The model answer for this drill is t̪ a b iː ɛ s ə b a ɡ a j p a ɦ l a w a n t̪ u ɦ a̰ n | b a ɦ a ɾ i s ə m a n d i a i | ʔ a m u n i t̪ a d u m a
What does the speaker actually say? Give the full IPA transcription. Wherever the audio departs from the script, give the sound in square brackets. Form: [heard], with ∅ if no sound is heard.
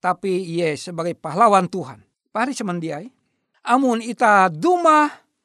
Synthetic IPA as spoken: t̪ a [p] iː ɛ s ə b a ɡ a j p a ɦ l a w a n t̪ u ɦ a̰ n | [p] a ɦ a ɾ i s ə m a n d i a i | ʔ a m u n i t̪ a d u m a